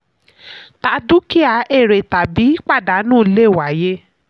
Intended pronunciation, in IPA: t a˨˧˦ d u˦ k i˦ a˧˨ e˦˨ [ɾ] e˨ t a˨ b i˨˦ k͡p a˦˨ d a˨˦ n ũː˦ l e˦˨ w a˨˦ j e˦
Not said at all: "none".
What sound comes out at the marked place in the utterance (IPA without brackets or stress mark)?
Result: ɾ